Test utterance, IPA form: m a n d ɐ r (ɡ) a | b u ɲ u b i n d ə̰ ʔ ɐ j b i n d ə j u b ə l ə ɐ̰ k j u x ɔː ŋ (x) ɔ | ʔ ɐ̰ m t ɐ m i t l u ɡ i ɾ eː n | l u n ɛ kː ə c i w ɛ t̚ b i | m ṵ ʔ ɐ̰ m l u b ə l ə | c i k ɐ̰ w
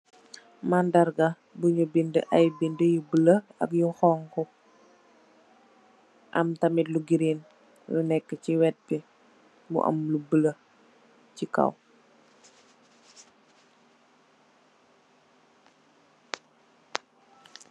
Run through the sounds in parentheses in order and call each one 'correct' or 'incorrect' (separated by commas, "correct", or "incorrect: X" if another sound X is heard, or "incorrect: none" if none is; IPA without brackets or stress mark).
correct, incorrect: k